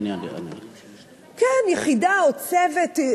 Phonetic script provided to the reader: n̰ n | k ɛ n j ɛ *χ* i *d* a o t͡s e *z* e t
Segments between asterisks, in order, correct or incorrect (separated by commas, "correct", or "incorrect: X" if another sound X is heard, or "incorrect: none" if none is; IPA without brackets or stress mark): correct, correct, incorrect: v